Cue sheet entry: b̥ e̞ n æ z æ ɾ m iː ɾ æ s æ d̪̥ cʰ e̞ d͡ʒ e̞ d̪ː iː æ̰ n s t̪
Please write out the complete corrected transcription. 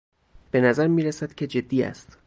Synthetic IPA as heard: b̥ e̞ n æ z æ ɾ m iː ɾ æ s æ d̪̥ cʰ e̞ d͡ʒ e̞ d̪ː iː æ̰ s t̪

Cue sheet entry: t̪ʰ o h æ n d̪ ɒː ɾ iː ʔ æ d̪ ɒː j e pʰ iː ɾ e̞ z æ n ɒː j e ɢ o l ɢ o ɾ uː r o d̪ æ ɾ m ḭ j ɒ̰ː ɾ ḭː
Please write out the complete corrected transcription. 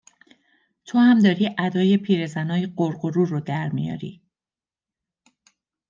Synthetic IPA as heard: t̪ʰ o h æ m d̪ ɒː ɾ iː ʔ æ d̪ ɒː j e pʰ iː ɾ e̞ z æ n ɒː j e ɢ o ɾ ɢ o ɾ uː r o d̪ æ ɾ m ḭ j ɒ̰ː ɾ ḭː

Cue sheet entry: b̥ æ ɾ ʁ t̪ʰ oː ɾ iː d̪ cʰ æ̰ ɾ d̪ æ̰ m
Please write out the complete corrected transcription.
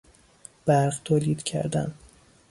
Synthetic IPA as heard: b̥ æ ɾ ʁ t̪ʰ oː l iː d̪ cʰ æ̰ ɾ d̪ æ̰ n

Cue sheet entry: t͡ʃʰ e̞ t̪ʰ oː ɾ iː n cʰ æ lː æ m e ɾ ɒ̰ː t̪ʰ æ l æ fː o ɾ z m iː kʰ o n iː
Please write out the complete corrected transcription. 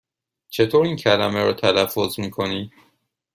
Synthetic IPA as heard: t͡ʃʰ e̞ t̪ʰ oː ɾ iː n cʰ æ l æ m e ɾ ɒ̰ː t̪ʰ æ l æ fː o z m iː kʰ o n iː

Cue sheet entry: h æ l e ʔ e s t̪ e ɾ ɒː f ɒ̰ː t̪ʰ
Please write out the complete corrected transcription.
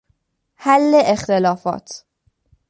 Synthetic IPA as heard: h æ lː e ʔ e x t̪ e l ɒː f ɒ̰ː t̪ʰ

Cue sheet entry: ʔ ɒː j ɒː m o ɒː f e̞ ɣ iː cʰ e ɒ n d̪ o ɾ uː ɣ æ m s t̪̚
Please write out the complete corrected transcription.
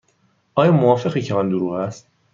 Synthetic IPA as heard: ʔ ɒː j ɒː m o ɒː f e̞ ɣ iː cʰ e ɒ n d̪ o ɾ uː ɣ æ s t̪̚

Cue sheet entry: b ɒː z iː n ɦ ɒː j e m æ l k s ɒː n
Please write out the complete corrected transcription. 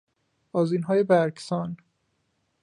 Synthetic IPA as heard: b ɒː z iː n ɦ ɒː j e b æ ɾ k s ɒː n

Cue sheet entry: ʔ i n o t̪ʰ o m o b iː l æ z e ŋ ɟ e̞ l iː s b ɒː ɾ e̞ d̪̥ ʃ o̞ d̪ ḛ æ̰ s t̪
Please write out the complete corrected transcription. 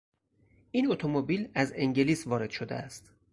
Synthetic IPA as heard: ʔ i n o t̪ʰ o m o b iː l æ z e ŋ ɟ e̞ l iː s v ɒː ɾ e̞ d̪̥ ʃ o̞ d̪ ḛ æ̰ s t̪

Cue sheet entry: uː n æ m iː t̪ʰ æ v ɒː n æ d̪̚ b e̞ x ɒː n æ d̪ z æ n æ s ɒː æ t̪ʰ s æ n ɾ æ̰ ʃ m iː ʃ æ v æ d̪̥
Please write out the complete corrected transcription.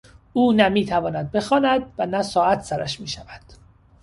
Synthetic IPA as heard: uː n æ m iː t̪ʰ æ v ɒː n æ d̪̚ b e̞ x ɒː n æ d̪ v æ n æ s ɒː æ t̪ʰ s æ ɾ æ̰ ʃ m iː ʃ æ v æ d̪̥

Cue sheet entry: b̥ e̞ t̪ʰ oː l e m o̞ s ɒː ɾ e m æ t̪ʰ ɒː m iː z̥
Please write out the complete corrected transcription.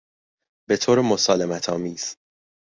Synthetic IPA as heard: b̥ e̞ t̪ʰ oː ɾ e m o̞ s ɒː l e m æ t̪ʰ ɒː m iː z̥

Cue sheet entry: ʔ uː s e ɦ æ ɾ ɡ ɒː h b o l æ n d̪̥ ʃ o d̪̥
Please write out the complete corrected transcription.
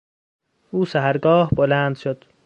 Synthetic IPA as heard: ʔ uː s æ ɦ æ ɾ ɡ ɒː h b o l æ n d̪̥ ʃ o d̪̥

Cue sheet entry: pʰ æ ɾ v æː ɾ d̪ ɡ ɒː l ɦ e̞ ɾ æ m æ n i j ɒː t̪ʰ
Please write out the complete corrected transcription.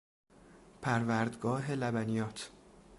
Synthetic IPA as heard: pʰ æ ɾ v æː ɾ d̪ ɡ ɒː ɦ e̞ l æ b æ n i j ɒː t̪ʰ

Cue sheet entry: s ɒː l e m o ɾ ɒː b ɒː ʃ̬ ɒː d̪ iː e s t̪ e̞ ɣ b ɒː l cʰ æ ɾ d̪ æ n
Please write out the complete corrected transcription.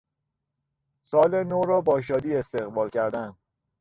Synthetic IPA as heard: s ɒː l e n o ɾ ɒː b ɒː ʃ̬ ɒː d̪ iː e s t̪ e̞ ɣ b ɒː l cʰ æ ɾ d̪ æ n

